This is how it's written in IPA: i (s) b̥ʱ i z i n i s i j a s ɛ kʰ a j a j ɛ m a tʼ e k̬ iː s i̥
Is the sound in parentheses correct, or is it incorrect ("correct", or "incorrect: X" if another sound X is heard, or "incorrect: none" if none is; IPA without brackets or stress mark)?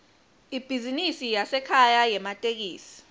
incorrect: none